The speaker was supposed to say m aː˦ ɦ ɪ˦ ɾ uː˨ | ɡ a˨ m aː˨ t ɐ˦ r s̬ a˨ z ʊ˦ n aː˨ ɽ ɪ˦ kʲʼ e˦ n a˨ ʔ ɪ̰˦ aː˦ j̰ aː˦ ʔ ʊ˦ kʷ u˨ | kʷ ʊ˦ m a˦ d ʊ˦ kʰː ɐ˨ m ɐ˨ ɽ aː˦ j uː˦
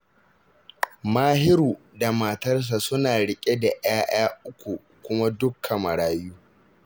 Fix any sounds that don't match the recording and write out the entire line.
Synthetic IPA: m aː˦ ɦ ɪ˦ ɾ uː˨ | d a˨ m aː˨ t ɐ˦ r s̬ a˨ s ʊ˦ n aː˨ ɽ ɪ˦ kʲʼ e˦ d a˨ ʔ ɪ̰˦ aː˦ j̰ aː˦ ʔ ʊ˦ kʷ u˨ | kʷ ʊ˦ m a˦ d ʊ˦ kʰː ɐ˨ m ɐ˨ ɽ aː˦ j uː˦

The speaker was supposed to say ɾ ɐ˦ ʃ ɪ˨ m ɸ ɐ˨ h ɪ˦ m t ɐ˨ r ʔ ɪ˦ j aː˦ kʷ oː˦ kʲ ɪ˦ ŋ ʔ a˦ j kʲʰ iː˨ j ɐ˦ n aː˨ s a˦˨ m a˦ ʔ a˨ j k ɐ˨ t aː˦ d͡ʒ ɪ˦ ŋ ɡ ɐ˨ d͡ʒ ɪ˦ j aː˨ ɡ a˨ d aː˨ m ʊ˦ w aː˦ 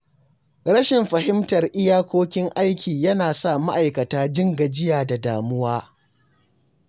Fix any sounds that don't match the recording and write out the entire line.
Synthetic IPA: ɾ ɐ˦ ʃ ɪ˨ m ɸ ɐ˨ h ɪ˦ m t ɐ˨ r ʔ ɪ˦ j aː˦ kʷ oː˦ kʲ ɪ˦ ŋ ʔ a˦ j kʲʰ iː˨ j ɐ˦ n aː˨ s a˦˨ m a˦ ʔ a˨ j k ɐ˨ t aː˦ d͡ʒ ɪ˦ ŋ ɡ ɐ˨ d͡ʒ ɪ˦ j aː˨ d a˨ d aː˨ m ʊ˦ w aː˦

